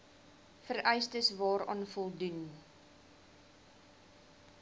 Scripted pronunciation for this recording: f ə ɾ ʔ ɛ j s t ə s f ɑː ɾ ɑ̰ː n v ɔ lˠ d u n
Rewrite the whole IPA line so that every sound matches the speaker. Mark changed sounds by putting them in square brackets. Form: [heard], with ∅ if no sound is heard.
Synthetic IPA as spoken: f ə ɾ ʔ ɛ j s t ə s [v] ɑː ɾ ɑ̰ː n [f] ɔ lˠ d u n